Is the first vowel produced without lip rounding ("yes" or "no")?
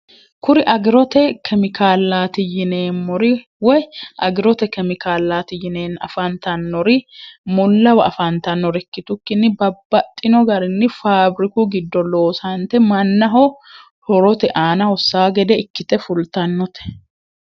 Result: no